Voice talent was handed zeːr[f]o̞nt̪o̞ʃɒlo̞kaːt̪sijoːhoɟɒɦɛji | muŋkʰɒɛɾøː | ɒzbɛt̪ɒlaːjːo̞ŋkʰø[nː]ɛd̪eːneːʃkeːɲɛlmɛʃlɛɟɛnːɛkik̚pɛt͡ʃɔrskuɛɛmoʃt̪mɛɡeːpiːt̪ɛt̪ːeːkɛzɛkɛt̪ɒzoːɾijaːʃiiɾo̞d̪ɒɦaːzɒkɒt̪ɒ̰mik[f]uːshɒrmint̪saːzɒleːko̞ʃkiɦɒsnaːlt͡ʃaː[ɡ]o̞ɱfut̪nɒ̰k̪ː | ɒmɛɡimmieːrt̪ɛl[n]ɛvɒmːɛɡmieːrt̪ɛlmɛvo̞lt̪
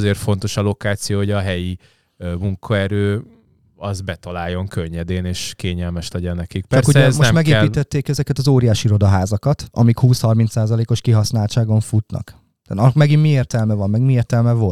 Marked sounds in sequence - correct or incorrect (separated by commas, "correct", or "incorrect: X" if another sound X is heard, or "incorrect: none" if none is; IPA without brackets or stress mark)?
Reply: correct, incorrect: ɲː, incorrect: h, correct, incorrect: m